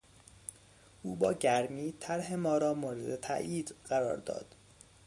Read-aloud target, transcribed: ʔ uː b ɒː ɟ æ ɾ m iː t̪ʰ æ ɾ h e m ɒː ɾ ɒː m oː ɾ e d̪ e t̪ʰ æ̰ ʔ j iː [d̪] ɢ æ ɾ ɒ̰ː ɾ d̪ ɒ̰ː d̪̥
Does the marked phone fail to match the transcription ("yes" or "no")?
no